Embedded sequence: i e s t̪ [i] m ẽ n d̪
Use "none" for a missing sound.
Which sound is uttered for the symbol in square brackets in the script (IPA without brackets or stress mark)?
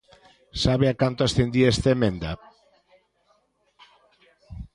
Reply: e